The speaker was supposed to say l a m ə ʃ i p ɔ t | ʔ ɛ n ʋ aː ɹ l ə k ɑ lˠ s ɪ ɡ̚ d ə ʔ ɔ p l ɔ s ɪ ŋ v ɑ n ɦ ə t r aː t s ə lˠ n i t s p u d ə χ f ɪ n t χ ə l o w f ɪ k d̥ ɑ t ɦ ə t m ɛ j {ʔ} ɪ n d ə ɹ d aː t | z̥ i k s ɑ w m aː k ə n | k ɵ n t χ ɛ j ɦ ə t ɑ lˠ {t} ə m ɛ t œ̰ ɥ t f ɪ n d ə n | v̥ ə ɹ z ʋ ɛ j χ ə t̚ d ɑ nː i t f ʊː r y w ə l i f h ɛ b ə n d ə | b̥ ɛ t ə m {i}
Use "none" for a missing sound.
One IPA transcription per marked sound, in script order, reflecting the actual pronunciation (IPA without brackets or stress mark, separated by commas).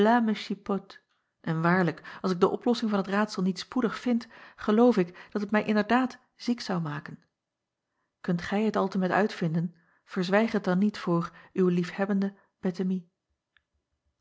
ʔ, t, i